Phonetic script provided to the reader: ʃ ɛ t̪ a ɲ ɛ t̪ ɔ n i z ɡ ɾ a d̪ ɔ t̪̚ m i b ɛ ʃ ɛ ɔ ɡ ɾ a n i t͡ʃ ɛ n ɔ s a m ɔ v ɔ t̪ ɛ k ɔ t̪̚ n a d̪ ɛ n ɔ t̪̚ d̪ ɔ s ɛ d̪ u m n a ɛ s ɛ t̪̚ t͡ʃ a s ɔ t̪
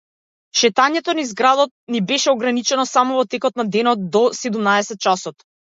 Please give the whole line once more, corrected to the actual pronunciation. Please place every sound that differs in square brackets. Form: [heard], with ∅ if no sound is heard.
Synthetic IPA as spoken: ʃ ɛ t̪ a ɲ ɛ t̪ ɔ n i z ɡ ɾ a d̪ ɔ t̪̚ [n] i b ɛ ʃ ɛ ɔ ɡ ɾ a n i t͡ʃ ɛ n ɔ s a m ɔ v ɔ t̪ ɛ k ɔ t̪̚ n a d̪ ɛ n ɔ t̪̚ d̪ ɔ s ɛ d̪ u m n a ɛ s ɛ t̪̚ t͡ʃ a s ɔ t̪